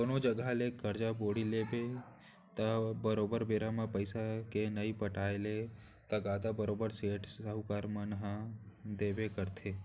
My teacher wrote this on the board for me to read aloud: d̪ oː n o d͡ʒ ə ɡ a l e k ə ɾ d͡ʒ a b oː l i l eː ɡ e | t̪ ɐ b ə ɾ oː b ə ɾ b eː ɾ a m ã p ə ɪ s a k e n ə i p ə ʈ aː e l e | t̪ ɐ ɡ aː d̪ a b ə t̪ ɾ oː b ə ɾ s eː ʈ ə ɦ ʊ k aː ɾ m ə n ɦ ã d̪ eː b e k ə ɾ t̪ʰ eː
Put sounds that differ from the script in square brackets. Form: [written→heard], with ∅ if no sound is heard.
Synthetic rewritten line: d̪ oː n o d͡ʒ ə ɡ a l e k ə ɾ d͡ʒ a b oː [l→ɽ] i l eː [ɡ→b] e | t̪ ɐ b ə ɾ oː b ə ɾ b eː ɾ a m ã p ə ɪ s a k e n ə i p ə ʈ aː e l e | t̪ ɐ ɡ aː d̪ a b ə [t̪→∅] ɾ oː b ə ɾ s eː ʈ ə ɦ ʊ k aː ɾ m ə n ɦ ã d̪ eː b e k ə ɾ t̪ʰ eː